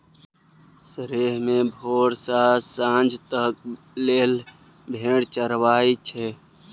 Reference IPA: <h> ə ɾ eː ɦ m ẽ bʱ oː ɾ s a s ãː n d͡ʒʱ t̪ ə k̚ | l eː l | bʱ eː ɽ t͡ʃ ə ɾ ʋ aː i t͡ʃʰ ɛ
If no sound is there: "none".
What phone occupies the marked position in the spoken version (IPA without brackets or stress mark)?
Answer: s